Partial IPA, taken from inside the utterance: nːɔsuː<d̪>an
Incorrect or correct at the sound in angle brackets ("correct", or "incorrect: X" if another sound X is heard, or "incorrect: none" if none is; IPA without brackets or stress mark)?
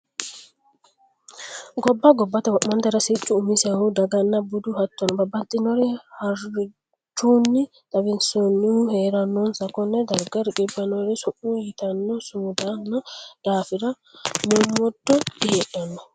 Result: correct